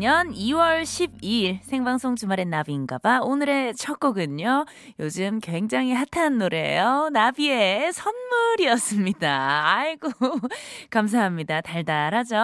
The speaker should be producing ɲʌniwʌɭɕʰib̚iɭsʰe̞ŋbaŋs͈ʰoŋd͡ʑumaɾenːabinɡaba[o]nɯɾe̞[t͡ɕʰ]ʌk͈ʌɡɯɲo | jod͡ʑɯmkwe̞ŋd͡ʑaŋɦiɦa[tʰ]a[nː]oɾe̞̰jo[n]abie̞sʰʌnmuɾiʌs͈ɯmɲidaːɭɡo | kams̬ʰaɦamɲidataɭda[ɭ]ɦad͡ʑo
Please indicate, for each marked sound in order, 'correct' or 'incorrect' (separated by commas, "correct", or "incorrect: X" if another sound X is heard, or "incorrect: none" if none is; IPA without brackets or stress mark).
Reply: correct, correct, correct, correct, correct, incorrect: ɾ